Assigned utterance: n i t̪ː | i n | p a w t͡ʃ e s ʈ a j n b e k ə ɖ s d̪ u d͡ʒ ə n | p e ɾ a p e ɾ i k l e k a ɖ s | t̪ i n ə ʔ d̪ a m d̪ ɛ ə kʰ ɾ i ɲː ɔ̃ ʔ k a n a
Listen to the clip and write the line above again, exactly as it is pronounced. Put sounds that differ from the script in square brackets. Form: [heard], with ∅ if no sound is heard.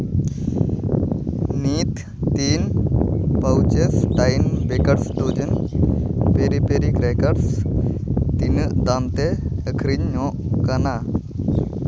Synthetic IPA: n i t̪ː | i n | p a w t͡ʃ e s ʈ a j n b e k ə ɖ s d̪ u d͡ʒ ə n | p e ɾ [i] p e ɾ i k [ɾ] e k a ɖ s | t̪ i n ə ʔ d̪ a m [t̪] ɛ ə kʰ ɾ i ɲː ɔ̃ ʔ k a n a